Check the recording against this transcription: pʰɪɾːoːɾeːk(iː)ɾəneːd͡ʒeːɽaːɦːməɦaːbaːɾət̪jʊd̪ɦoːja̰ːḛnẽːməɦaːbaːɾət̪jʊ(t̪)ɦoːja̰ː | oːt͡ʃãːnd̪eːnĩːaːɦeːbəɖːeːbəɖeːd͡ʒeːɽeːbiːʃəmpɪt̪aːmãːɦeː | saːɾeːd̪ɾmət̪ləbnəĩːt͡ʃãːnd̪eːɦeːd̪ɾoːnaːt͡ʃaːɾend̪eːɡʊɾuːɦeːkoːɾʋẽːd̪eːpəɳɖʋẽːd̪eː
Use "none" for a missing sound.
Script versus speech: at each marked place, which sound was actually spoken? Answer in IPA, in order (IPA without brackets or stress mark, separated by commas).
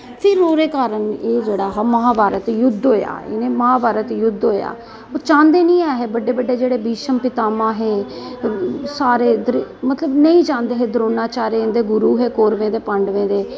aː, d̪